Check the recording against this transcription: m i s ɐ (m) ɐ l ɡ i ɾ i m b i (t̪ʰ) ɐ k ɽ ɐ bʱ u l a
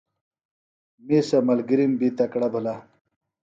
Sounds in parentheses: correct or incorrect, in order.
correct, incorrect

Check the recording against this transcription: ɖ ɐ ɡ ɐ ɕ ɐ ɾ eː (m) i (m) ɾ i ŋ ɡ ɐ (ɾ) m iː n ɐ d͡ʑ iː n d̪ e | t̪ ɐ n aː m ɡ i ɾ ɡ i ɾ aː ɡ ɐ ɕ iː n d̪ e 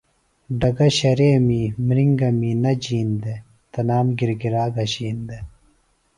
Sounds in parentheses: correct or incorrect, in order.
correct, correct, incorrect

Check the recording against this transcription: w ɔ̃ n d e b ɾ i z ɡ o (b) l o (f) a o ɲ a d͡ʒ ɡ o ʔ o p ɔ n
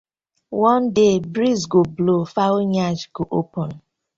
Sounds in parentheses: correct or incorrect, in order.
correct, correct

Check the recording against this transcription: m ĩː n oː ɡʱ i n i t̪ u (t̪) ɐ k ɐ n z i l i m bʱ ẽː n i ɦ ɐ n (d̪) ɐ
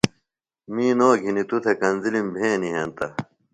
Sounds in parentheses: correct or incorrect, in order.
incorrect, incorrect

